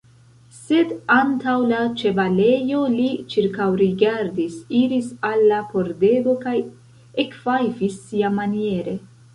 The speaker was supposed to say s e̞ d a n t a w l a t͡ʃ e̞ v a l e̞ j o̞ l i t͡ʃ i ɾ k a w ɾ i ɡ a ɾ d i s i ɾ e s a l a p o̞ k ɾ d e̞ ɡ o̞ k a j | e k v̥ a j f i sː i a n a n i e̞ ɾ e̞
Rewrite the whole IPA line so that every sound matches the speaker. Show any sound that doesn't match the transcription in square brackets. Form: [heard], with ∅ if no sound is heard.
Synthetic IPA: s e̞ d a n t a w l a t͡ʃ e̞ v a l e̞ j o̞ l i t͡ʃ i ɾ k a w ɾ i ɡ a ɾ d i s i ɾ [i] s a [lː] a p o̞ [∅] ɾ d e̞ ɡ o̞ k a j | e k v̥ a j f i sː i a [m] a n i e̞ ɾ e̞